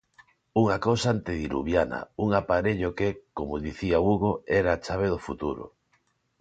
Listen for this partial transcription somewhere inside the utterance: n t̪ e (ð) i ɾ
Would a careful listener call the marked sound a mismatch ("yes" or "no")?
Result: no